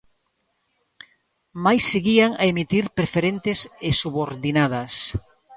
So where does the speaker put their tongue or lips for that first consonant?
lips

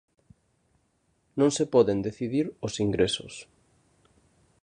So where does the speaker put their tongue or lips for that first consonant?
tongue tip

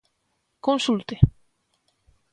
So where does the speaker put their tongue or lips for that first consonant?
velum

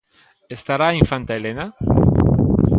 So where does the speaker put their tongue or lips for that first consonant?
tongue tip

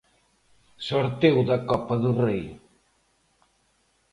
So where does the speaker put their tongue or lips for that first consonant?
tongue tip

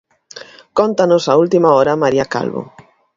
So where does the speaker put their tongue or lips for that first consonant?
velum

